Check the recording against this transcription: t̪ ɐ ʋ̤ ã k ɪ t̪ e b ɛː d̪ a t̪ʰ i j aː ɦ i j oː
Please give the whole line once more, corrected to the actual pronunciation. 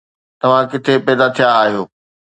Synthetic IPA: t̪ ɐ ʋ̤ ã k ɪ t̪ʰ e p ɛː d̪ a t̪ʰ i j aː ɦ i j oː